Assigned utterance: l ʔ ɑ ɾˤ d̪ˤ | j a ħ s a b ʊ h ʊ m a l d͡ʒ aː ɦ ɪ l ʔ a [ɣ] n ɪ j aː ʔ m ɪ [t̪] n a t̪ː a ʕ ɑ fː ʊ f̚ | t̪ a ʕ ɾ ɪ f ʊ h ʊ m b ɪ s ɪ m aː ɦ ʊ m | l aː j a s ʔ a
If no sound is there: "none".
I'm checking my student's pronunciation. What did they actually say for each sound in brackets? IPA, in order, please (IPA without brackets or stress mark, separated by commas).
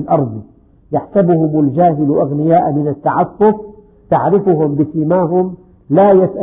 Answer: ɣ, none